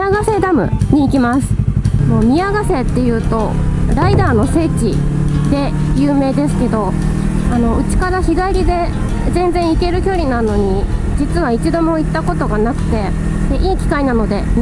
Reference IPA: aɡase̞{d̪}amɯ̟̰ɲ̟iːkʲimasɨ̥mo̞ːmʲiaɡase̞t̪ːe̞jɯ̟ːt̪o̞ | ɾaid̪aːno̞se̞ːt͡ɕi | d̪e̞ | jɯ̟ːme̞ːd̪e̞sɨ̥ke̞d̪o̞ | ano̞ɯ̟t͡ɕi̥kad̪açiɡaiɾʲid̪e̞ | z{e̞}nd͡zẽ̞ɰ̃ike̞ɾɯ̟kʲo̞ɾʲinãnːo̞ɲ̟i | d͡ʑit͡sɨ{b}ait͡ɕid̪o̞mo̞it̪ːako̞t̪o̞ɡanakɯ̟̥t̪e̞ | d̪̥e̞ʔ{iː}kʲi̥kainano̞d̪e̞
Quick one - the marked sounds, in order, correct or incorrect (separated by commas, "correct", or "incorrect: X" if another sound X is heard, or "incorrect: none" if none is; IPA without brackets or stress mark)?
correct, incorrect: ẽ̞, incorrect: β, correct